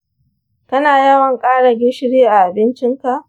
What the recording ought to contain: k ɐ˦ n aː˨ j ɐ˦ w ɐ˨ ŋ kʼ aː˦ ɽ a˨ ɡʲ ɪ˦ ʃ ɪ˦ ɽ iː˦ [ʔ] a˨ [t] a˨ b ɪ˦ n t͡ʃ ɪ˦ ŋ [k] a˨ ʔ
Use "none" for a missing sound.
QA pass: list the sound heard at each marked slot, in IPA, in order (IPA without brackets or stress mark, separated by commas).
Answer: ʔ, ʔ, k